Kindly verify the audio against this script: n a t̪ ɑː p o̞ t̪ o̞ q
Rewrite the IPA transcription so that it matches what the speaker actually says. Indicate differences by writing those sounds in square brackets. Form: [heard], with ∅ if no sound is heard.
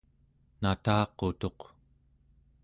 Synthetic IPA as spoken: n a t̪ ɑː [q] o̞ t̪ o̞ q